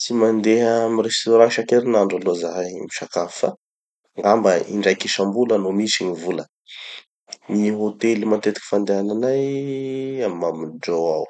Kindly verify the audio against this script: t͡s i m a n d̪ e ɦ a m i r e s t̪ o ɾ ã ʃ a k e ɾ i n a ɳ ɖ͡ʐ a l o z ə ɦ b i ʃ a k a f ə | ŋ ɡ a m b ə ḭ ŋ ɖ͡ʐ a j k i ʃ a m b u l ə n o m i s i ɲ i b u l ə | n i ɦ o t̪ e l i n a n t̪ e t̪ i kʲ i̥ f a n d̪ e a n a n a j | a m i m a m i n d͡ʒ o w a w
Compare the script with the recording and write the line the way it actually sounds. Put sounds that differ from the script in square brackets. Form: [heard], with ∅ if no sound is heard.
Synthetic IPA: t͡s i m a n d̪ e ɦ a m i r e s t̪ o ɾ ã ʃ a k e ɾ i n a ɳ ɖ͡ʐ a l o z [a] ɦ [m] i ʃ a k a f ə | ŋ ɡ a m b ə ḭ [ɳ] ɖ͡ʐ a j k i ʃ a m b u l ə n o m i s i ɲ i [v] u l ə | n i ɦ o t̪ e l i [m] a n t̪ e t̪ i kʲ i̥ f a n d̪ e a n a n a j | a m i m a m i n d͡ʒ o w a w